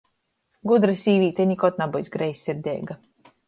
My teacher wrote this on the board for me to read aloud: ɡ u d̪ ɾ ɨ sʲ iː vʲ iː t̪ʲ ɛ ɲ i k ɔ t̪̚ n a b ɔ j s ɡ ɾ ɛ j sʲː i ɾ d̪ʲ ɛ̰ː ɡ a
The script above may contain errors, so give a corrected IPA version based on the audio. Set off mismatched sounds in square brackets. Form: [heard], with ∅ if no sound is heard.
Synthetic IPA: ɡ u d̪ ɾ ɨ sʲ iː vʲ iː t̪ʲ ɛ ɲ i k ɔ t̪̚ n a b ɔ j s ɡ ɾ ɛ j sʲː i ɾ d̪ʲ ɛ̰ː ɡ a